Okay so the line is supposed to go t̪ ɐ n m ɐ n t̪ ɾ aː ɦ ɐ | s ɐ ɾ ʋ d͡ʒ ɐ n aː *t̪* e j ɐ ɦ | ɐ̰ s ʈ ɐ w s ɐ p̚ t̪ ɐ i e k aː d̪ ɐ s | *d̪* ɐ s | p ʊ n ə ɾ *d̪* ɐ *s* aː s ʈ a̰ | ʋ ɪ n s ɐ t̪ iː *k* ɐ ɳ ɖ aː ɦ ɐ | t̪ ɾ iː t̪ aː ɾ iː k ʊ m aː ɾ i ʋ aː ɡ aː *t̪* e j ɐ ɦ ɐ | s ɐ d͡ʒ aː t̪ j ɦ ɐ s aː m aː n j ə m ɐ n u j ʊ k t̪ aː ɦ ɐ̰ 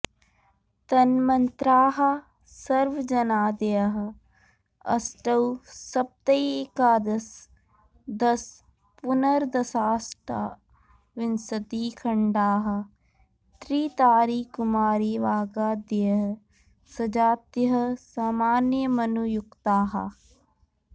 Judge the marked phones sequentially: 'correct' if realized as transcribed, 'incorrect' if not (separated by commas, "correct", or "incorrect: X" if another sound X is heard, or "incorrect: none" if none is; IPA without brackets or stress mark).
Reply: incorrect: d̪, correct, correct, correct, incorrect: kʰ, incorrect: d̪